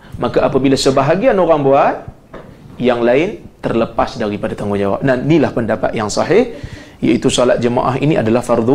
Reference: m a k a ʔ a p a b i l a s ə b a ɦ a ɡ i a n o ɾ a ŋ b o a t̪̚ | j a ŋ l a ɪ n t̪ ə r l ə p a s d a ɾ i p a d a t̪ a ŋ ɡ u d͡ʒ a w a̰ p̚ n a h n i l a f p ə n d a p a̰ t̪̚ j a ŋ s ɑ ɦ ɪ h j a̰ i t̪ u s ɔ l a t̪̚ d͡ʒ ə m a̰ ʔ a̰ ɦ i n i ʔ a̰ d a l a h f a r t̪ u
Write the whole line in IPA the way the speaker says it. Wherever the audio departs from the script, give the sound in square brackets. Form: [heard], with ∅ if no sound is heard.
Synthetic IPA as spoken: m a k a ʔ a p a b i l a s ə b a ɦ a ɡ i a n o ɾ a ŋ b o a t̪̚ | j a ŋ l a ɪ n t̪ ə r l ə p a s d a ɾ i p a d a t̪ a ŋ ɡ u d͡ʒ a w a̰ p̚ n a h n i l a [h] p ə n d a p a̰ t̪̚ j a ŋ s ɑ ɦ ɪ h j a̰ i t̪ u s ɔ l a t̪̚ d͡ʒ ə m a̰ ʔ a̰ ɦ i n i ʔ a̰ d a l a h f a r [d̪] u